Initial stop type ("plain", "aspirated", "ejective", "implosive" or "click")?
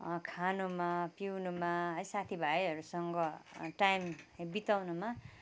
aspirated